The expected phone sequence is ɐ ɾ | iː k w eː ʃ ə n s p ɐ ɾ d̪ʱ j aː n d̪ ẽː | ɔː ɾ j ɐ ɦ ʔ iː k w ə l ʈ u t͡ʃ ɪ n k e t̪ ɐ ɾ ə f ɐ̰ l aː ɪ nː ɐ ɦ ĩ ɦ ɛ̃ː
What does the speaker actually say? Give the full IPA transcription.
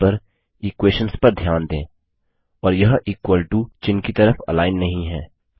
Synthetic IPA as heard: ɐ ɾ | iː k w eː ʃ ə n s p ɐ ɾ d̪ʱ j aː n d̪ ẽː | ɔː ɾ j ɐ ɦ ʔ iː k w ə l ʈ u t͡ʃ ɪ n k i t̪ ɐ ɾ ə f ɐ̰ l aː ɪ nː ɐ ɦ ĩ ɦ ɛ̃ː